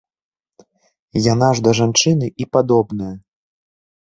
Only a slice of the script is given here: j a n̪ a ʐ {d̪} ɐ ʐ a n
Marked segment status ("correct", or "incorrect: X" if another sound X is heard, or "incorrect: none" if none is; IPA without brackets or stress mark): correct